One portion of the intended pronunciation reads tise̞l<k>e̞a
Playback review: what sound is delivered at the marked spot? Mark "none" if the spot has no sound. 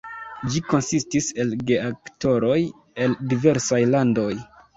ɡ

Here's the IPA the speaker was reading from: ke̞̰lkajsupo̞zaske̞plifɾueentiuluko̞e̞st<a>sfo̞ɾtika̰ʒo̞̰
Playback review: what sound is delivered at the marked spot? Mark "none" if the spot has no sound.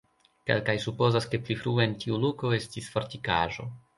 i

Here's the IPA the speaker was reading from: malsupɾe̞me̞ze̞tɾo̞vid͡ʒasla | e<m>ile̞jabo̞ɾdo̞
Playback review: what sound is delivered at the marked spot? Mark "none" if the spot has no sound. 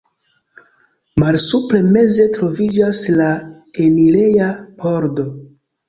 n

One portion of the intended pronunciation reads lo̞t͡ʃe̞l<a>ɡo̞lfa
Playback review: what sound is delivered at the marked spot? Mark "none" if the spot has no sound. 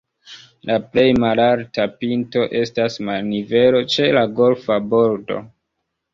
a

